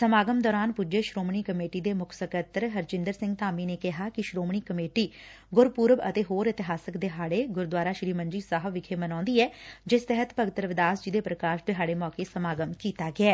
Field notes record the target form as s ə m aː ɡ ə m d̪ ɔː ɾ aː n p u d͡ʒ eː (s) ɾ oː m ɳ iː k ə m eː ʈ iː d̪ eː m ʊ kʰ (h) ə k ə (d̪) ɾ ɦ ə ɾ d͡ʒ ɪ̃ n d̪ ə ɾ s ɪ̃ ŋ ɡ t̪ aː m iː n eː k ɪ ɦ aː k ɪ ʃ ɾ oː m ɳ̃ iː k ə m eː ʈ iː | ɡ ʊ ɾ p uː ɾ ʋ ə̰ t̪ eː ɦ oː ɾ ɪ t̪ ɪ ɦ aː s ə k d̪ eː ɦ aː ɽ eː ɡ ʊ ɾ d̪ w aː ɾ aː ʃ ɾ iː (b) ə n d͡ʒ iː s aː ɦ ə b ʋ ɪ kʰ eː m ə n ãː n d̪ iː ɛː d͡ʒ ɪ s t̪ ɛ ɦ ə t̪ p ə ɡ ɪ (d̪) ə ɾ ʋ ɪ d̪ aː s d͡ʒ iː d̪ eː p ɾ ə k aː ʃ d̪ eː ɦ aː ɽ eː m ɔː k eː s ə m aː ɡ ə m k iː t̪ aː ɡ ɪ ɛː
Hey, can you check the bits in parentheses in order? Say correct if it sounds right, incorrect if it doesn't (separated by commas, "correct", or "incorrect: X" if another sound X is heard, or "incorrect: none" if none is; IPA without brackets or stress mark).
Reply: incorrect: ʃ, incorrect: s, incorrect: t̪, incorrect: m, incorrect: t̪